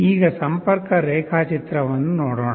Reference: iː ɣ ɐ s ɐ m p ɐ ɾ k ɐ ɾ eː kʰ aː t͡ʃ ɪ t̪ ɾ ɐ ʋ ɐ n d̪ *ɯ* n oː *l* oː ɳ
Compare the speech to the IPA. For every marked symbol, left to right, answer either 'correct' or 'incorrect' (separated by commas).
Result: correct, incorrect